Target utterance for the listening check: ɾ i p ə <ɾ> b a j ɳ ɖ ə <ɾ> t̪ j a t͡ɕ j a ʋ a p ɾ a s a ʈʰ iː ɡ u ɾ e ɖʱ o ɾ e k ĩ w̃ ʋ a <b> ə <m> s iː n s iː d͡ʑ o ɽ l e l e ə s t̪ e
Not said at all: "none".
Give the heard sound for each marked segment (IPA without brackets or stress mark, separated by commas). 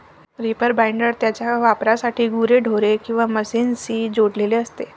ɾ, ɾ, m, none